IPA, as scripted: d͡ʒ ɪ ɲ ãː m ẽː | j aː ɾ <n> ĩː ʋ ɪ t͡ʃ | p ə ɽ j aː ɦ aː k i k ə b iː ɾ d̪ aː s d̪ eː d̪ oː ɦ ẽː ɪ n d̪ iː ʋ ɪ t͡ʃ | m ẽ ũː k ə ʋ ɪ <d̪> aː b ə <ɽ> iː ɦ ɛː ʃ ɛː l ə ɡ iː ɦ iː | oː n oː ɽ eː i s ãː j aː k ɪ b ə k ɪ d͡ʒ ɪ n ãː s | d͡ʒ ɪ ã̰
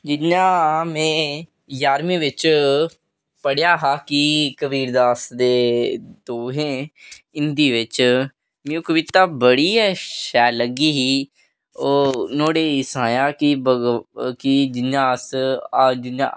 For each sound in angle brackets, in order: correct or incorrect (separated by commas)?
incorrect, incorrect, correct